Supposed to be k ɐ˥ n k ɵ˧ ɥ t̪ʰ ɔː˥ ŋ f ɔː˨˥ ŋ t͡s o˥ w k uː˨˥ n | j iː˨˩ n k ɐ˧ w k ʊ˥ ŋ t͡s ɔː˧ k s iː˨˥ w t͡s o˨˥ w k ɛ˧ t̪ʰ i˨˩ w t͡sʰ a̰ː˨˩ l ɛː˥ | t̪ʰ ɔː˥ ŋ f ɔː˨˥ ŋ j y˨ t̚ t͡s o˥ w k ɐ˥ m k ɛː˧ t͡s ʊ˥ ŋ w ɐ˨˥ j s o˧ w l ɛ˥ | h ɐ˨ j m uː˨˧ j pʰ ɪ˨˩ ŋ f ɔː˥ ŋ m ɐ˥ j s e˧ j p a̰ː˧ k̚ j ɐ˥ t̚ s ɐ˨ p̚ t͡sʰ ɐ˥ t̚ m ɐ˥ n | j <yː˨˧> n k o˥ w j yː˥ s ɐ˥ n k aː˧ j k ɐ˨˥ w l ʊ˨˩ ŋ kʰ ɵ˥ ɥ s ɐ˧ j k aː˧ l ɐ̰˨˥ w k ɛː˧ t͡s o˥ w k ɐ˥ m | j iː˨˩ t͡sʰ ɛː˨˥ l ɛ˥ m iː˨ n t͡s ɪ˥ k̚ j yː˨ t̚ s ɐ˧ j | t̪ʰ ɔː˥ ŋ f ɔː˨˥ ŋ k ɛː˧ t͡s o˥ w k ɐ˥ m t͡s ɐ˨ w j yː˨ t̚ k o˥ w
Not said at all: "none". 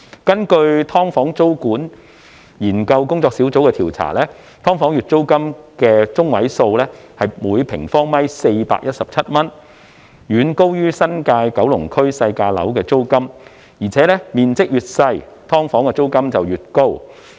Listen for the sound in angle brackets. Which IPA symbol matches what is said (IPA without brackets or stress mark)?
yː˨˧